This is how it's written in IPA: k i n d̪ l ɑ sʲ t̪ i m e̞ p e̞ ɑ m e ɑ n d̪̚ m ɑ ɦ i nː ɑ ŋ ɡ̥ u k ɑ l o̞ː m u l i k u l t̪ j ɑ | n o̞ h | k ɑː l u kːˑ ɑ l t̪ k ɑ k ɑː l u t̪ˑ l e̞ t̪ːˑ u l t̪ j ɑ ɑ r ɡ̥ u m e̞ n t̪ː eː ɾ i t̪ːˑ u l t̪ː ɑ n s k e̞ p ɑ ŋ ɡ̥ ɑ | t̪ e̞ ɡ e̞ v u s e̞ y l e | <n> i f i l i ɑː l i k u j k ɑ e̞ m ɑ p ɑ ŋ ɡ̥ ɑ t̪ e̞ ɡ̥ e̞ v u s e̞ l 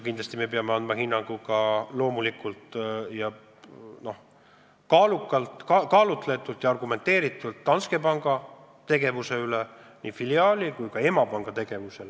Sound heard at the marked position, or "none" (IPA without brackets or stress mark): n